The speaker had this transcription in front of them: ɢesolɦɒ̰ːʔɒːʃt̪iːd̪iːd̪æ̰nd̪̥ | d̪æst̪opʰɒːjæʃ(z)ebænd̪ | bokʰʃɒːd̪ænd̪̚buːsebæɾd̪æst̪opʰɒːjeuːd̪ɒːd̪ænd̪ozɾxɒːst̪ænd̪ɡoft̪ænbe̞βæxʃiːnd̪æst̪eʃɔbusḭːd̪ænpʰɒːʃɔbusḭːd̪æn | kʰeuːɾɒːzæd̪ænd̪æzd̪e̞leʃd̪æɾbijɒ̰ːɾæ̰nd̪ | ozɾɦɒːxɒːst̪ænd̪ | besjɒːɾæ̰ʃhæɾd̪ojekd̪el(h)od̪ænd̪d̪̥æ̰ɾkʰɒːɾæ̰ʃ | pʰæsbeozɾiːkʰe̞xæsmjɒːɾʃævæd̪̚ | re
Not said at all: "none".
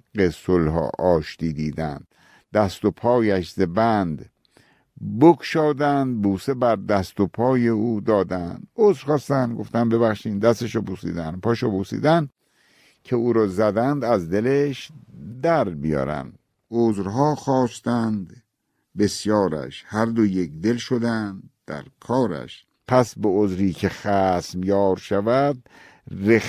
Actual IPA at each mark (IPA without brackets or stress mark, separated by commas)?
z, ʃ